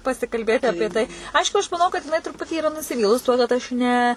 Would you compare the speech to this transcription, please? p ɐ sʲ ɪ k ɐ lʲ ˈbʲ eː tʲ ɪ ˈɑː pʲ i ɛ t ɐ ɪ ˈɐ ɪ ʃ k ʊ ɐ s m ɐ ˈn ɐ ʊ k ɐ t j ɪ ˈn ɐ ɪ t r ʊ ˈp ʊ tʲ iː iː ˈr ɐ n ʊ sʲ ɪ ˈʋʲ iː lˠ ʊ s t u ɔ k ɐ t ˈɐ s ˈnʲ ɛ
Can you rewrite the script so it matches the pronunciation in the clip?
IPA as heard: p ɐ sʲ ɪ k ɐ lʲ ˈbʲ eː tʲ ɪ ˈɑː pʲ i ɛ t ɐ ɪ ˈɐ ɪ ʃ k ʊ ɐ ʃ m ɐ ˈn ɐ ʊ k ɐ t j ɪ ˈn ɐ ɪ t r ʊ ˈp ʊ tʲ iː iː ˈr ɐ n ʊ sʲ ɪ ˈʋʲ iː lˠ ʊ s t u ɔ k ɐ t ˈɐ ʃ ˈnʲ ɛ